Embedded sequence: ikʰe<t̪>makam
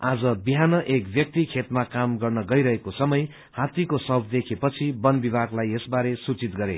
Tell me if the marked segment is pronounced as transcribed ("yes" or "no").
yes